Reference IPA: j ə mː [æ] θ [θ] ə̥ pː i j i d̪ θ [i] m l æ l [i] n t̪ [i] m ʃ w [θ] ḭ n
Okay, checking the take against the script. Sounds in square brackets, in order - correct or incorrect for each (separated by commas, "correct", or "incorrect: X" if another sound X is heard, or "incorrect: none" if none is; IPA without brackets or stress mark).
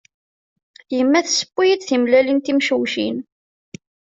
correct, incorrect: s, correct, correct, correct, incorrect: ʃ